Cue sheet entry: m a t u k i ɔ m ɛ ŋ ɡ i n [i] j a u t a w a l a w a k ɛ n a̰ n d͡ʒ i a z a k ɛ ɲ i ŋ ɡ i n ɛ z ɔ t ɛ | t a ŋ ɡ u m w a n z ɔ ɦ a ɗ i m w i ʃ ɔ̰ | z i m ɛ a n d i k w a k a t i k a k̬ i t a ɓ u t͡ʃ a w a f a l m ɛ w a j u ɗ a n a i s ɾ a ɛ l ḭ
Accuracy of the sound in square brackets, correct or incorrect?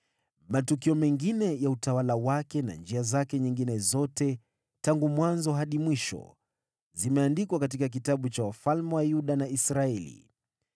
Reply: incorrect